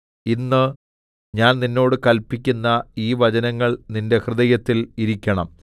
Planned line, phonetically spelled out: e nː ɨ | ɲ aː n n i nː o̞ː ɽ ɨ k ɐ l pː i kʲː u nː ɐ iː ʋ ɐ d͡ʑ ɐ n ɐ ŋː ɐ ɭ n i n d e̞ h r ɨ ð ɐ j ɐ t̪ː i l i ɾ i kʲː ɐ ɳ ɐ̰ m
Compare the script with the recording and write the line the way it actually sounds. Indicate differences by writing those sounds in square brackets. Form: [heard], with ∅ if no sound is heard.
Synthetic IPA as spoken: [i] nː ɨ | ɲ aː n n i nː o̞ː ɽ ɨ k ɐ l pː i kʲː u nː ɐ iː ʋ ɐ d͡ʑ ɐ n ɐ ŋː ɐ ɭ n i n d e̞ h r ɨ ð ɐ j ɐ t̪ː i l i ɾ i kʲː ɐ ɳ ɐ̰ m

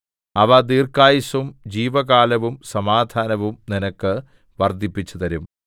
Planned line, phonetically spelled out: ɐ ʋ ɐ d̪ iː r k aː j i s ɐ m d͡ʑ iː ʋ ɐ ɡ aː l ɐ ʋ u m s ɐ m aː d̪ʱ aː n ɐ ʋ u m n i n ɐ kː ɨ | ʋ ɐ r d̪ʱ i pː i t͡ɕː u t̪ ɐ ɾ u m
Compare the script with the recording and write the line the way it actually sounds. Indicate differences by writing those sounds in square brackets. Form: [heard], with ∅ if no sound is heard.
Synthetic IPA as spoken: ɐ ʋ ɐ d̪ iː r k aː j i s ɐ m d͡ʑ iː ʋ ɐ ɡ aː l ɐ ʋ u m s ɐ m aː d̪ʱ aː n ɐ ʋ u m n i n ɐ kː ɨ | ʋ ɐ r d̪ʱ i pː i t͡ɕː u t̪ ɐ ɾ u m

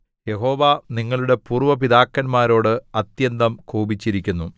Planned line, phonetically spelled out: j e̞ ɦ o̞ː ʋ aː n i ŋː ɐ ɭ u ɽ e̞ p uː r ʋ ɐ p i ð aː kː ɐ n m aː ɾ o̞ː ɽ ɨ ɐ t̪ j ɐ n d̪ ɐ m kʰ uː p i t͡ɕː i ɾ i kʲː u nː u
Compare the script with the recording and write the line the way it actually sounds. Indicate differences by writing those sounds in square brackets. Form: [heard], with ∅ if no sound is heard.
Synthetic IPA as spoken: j e̞ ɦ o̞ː ʋ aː n i ŋː ɐ ɭ u ɽ e̞ p uː r ʋ ɐ p i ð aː kː ɐ n m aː ɾ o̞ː ɽ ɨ ɐ t̪ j ɐ n d̪ ɐ m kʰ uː [b] i t͡ɕː i ɾ i kʲː u nː u

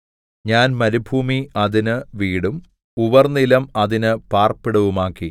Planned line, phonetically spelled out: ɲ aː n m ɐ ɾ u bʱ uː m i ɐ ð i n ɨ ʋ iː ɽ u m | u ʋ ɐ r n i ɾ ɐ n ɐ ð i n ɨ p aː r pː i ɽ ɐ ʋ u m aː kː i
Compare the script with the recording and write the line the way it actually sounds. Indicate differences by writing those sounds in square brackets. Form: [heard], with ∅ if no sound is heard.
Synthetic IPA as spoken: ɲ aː n m ɐ ɾ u bʱ uː m i ɐ ð i n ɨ ʋ iː ɽ u m | u ʋ ɐ r n i [l] ɐ [m] ɐ ð i n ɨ p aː r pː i ɽ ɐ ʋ u m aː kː i

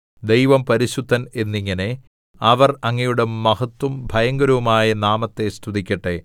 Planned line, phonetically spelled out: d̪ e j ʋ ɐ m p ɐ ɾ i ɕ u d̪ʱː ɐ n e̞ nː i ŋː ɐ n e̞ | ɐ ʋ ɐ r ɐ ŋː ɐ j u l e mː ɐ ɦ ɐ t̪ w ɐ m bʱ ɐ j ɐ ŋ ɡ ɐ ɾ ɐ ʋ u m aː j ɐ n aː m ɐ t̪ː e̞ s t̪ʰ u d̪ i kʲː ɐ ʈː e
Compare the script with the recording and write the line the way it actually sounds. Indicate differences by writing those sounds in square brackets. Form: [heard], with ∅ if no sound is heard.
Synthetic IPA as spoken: d̪ e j ʋ ɐ m p ɐ ɾ i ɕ u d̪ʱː ɐ n e̞ nː i ŋː ɐ n e̞ | ɐ ʋ ɐ r ɐ ŋː ɐ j u [ɽ] e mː ɐ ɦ ɐ t̪ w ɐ m bʱ ɐ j ɐ ŋ ɡ ɐ ɾ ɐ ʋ u m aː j ɐ n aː m ɐ t̪ː e̞ s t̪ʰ u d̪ i kʲː ɐ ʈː e

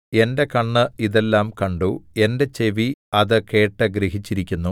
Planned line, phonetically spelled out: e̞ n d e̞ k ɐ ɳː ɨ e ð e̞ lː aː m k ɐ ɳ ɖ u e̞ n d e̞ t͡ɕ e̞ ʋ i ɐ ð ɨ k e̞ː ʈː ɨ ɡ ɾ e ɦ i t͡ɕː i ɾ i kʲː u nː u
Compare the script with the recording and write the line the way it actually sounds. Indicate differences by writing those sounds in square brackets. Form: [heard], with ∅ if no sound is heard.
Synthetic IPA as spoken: e̞ n d e̞ k ɐ ɳː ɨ [i] ð e̞ lː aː m k ɐ ɳ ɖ u e̞ n d e̞ t͡ɕ e̞ ʋ i ɐ ð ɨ k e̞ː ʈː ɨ ɡ ɾ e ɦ i t͡ɕː i ɾ i kʲː u nː u

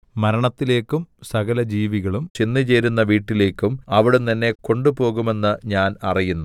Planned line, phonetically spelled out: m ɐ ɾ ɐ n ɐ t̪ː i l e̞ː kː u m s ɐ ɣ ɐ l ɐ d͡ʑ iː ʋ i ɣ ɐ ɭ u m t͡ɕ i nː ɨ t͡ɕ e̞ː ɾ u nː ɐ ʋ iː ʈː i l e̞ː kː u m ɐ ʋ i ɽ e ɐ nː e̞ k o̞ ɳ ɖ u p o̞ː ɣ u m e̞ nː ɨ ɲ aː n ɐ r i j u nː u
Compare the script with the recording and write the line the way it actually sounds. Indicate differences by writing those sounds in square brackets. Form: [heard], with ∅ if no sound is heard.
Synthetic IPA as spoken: m ɐ ɾ ɐ [ɳ] ɐ t̪ː i l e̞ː kː u m s ɐ ɣ ɐ l ɐ d͡ʑ iː ʋ i ɣ ɐ ɭ u m t͡ɕ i nː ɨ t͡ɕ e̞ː ɾ u nː ɐ ʋ iː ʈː i l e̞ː kː u m ɐ ʋ i ɽ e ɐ nː e̞ k o̞ ɳ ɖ u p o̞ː ɣ u m e̞ nː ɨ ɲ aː n ɐ r i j u nː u

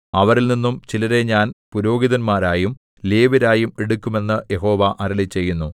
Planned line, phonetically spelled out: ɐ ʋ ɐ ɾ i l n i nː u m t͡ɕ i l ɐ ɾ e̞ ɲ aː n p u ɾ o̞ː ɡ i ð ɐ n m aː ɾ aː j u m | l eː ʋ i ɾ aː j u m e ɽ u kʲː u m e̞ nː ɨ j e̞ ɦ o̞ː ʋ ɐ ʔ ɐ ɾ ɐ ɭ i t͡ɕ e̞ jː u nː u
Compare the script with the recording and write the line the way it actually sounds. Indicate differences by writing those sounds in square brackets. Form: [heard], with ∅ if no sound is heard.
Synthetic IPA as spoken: ɐ ʋ ɐ ɾ i l n i nː u m t͡ɕ i l ɐ ɾ e̞ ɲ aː n p u ɾ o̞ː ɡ i ð ɐ n m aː ɾ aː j u m | l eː ʋ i ɾ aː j u m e ɽ u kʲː u m e̞ nː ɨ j e̞ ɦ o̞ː ʋ ɐ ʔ ɐ ɾ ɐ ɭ i t͡ɕ e̞ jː u nː u

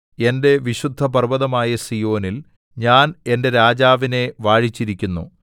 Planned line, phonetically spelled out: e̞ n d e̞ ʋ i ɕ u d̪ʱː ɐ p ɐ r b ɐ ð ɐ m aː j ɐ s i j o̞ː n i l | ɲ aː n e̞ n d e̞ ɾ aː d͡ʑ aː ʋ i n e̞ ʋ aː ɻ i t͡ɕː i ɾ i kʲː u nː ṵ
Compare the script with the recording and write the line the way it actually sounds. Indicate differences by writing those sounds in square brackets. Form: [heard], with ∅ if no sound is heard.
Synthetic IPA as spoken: e̞ n d e̞ ʋ i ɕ u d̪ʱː ɐ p ɐ r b ɐ ð ɐ m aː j ɐ s i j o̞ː n i l | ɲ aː n e̞ n d e̞ ɾ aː d͡ʑ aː ʋ i n e̞ ʋ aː ɻ i t͡ɕː i ɾ i kʲː u nː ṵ

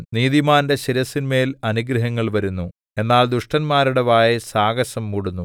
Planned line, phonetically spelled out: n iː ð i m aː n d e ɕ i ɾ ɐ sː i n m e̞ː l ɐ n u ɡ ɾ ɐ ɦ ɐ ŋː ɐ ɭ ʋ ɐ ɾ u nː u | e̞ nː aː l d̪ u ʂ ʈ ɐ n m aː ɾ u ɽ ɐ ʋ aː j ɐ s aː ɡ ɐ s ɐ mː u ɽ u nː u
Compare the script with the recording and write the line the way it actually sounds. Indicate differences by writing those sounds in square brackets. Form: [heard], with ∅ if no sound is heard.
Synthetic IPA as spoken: n iː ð i m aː n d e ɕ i ɾ ɐ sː i n m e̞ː l ɐ n u ɡ ɾ ɐ ɦ ɐ ŋː ɐ ɭ ʋ ɐ ɾ u nː u | e̞ nː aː l d̪ u ʂ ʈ ɐ n m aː ɾ u ɽ ɐ ʋ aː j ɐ s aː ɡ ɐ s ɐ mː u ɽ u nː u

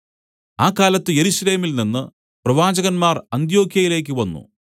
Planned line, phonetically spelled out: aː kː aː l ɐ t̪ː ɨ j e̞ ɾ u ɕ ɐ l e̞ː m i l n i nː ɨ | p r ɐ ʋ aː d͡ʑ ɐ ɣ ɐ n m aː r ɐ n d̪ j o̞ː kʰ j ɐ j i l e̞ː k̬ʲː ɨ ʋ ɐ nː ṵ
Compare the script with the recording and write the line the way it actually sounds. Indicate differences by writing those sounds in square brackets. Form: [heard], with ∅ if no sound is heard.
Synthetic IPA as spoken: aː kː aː l ɐ t̪ː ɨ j e̞ ɾ u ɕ ɐ l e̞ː m i l n i nː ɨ | p r ɐ ʋ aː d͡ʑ ɐ ɣ ɐ n m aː r ɐ n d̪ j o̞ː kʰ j ɐ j i l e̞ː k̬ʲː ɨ ʋ ɐ nː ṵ

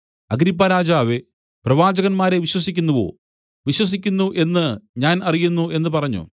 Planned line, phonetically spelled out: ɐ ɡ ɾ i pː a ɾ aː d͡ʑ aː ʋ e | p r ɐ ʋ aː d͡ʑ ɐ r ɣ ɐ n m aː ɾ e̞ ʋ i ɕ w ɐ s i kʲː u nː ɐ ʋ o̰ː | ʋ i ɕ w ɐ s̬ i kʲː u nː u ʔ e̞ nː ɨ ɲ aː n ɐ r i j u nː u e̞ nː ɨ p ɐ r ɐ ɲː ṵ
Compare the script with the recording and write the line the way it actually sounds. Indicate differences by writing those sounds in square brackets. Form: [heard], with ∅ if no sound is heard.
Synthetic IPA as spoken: ɐ ɡ ɾ i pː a ɾ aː d͡ʑ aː ʋ e | p r ɐ ʋ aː d͡ʑ ɐ [∅] ɣ ɐ n m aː ɾ e̞ ʋ i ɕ w ɐ s i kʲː u nː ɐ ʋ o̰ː | ʋ i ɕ w ɐ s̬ i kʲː u nː u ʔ e̞ nː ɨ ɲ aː n ɐ r i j u nː u e̞ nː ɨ p ɐ r ɐ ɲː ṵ

